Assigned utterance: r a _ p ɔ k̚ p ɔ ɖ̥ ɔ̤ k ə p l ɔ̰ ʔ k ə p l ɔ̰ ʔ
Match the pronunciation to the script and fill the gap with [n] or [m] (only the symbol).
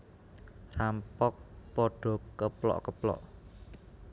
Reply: m